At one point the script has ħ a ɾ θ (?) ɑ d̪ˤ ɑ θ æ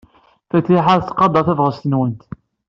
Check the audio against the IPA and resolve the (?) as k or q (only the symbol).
q